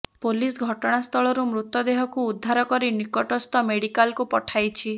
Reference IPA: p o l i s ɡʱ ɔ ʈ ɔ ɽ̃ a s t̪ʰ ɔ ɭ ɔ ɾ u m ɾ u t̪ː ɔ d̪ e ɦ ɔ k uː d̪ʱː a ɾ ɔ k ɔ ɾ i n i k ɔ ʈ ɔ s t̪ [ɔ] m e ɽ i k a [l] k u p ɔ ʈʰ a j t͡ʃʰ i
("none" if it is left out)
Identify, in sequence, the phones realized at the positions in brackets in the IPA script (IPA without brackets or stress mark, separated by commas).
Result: ɔ, l